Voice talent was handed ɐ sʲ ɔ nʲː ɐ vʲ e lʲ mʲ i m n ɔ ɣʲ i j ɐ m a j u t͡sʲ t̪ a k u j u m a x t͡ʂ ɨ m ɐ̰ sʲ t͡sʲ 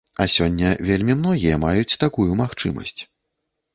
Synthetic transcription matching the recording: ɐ sʲ ɔ nʲː ɐ vʲ e lʲ mʲ i m n ɔ ɣʲ i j ɐ m a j u t͡sʲ t̪ a k u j u m a x t͡ʂ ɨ m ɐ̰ sʲ t͡sʲ